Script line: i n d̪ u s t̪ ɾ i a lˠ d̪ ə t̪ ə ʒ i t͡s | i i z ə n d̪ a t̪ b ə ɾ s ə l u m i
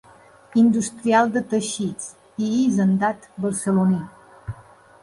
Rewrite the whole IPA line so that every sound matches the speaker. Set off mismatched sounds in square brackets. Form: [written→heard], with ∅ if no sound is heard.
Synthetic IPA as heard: i n d̪ u s t̪ ɾ i a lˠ d̪ ə t̪ ə [ʒ→ʃ] i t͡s | i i z ə n d̪ a t̪ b ə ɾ s ə l u [m→n] i